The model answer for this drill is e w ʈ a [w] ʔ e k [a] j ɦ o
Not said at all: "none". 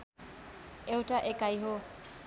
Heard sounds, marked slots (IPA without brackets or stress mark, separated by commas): none, a